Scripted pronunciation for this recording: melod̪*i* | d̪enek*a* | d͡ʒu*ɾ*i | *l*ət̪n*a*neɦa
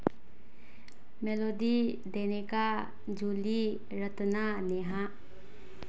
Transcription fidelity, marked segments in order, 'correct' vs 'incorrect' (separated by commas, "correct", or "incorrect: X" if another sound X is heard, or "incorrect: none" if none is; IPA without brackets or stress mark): correct, correct, incorrect: l, incorrect: ɾ, correct